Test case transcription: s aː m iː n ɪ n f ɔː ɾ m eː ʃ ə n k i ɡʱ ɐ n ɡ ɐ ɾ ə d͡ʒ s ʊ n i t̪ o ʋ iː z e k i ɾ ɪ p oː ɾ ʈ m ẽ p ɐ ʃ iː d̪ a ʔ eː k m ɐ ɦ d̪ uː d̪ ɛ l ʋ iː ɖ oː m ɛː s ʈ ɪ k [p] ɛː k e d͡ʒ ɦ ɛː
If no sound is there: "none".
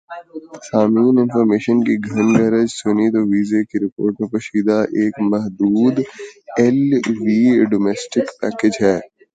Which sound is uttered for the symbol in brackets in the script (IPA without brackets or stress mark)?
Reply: p